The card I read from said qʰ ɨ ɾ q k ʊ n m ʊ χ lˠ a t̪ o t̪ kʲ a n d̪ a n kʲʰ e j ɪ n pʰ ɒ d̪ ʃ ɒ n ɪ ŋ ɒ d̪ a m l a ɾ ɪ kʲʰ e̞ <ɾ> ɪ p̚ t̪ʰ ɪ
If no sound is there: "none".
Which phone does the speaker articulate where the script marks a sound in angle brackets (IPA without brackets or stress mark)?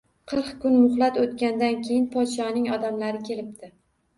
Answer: l